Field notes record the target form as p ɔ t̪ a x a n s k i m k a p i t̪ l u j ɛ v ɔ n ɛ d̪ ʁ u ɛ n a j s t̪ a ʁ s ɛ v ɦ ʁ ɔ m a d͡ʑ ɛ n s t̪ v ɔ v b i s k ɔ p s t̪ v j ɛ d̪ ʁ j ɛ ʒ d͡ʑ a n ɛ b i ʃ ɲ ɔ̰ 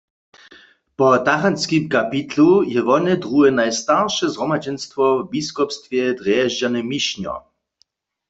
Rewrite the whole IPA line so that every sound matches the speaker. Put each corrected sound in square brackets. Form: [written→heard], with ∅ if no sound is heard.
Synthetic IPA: p ɔ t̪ a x a n s k i m k a p i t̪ l u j ɛ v ɔ n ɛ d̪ ʁ u ɛ n a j s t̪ a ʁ [s→ʃ] ɛ [v→z] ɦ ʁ ɔ m a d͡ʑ ɛ n s t̪ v ɔ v b i s k ɔ p s t̪ v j ɛ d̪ ʁ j ɛ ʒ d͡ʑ a n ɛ [b→m] i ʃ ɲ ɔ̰